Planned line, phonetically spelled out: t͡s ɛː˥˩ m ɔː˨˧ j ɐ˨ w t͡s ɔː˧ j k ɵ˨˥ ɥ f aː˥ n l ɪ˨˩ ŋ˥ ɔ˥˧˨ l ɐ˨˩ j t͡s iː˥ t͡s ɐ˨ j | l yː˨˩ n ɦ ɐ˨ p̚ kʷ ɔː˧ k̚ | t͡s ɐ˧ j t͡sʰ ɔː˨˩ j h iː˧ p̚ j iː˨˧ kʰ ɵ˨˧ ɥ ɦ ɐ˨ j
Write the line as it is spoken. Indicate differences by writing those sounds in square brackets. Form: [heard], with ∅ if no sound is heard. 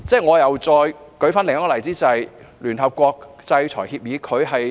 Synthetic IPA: t͡s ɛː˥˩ [ŋ] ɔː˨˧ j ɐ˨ w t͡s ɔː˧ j k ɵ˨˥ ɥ f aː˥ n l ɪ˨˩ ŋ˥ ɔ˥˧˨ l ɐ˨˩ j t͡s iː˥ t͡s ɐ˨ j | l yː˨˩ n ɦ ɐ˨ p̚ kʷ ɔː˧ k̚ | t͡s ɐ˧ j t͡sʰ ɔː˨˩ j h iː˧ p̚ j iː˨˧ kʰ ɵ˨˧ ɥ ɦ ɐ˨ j

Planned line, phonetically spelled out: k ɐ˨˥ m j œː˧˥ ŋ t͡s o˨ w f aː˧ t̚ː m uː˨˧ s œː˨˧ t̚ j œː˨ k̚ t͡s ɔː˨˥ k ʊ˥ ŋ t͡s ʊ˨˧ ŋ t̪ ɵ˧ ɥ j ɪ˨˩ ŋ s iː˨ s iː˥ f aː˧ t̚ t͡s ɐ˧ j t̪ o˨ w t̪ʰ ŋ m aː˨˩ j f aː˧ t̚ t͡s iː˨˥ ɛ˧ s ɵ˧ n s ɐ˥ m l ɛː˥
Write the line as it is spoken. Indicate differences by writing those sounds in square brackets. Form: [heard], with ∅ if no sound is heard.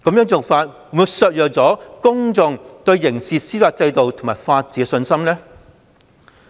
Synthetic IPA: k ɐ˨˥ m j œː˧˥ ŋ t͡s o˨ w f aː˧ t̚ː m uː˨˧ s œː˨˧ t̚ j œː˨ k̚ t͡s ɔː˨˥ k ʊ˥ ŋ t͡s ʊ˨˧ ŋ t̪ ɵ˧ ɥ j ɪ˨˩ ŋ s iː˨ s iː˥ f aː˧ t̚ t͡s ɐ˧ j t̪ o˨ w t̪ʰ ŋ m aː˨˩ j f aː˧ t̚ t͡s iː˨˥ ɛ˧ s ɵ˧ n s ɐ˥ m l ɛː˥

